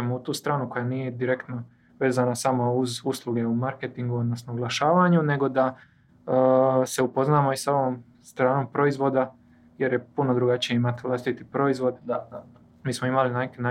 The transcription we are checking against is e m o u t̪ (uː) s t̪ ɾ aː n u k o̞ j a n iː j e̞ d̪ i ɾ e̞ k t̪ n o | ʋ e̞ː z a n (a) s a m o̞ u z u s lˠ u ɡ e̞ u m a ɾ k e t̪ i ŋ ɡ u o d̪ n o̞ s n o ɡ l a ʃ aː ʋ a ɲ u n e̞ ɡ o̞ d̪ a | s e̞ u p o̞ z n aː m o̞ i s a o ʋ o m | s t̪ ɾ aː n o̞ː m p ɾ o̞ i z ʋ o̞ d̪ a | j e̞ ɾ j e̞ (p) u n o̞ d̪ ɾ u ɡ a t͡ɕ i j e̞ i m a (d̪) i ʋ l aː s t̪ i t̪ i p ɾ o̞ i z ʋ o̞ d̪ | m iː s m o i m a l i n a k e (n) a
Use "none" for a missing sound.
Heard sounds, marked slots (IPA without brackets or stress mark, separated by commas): uː, a, p, t̪, n